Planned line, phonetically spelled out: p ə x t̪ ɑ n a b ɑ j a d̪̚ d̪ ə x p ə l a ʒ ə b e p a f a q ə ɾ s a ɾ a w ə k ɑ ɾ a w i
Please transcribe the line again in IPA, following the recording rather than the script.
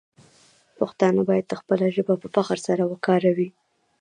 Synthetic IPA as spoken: p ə x t̪ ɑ n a b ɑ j a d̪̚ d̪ ə x p ə l a ʒ ə b a p ə f a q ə ɾ s a ɾ a w ə k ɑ ɾ a w i